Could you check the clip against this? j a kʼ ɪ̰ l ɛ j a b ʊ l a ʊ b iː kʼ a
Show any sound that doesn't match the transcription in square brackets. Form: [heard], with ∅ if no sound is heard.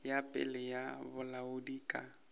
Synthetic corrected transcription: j a [pʼ] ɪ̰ l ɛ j a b ʊ l a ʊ [d] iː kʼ a